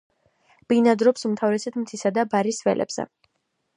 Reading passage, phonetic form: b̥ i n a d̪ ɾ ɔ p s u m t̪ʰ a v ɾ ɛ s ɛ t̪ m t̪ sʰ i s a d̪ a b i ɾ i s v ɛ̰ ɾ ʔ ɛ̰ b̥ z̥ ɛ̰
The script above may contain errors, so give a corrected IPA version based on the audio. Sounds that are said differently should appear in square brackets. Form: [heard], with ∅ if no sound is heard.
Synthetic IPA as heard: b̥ i n a d̪ ɾ ɔ p s u m t̪ʰ a v ɾ ɛ s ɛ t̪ m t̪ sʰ i s a d̪ a b [a] ɾ i s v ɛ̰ [l] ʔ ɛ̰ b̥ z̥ ɛ̰